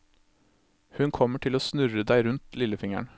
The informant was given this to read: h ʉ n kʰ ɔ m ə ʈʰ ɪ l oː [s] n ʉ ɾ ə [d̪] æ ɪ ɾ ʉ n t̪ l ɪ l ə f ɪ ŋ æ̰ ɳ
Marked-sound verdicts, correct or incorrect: correct, correct

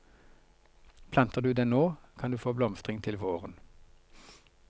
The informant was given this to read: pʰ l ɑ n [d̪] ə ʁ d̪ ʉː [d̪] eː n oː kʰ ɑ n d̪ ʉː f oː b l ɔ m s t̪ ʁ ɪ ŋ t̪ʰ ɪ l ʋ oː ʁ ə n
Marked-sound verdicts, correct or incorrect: incorrect, correct

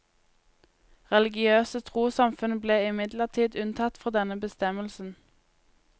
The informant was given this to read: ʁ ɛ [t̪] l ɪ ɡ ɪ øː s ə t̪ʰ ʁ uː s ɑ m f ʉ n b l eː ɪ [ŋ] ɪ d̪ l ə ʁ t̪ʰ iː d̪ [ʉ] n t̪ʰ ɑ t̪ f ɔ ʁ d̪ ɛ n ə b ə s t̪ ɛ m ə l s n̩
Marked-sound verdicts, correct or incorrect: incorrect, incorrect, correct

